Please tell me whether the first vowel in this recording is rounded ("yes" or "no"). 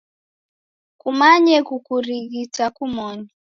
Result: yes